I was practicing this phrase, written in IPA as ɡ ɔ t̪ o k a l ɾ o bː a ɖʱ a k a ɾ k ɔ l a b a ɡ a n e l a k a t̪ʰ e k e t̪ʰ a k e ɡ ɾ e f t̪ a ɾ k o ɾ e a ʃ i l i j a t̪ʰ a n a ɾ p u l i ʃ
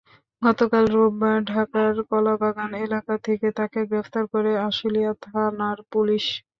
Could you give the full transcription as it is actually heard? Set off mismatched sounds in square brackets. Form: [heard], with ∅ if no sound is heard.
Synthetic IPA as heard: ɡ ɔ t̪ o k a l ɾ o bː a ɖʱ a k a ɾ k ɔ l a b a ɡ a n e l a k a t̪ʰ e k e [t̪] a k e ɡ ɾ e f t̪ a ɾ k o ɾ e a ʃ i l i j a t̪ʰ a n a ɾ p u l i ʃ